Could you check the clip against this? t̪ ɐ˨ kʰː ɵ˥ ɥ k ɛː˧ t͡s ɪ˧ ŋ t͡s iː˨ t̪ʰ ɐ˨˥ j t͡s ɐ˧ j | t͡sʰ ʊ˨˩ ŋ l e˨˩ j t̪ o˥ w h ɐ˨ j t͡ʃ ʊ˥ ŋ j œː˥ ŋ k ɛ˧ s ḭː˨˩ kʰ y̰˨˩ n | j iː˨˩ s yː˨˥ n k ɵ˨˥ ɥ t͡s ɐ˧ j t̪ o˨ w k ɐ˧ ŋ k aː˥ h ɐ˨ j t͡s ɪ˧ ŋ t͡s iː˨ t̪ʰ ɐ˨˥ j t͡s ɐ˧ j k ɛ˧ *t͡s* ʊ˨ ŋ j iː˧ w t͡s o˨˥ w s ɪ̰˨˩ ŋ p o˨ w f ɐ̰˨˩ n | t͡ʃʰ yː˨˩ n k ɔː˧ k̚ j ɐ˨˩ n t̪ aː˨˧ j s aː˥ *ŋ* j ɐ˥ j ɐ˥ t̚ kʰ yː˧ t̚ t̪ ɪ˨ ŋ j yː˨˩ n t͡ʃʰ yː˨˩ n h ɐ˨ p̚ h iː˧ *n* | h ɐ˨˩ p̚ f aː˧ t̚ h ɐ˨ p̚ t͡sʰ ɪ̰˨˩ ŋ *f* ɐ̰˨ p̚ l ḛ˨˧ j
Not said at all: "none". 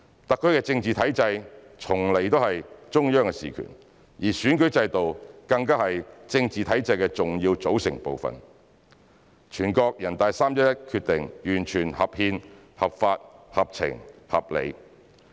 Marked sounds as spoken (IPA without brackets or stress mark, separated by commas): t͡s, m, n, h